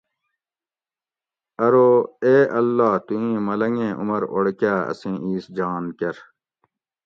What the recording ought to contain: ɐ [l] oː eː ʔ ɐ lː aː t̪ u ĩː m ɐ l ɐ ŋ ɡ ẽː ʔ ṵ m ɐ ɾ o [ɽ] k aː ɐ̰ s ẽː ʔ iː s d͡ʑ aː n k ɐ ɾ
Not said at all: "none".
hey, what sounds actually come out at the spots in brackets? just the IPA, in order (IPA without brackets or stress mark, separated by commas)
ɾ, ɽ